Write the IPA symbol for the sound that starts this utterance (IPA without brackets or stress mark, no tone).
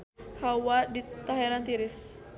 h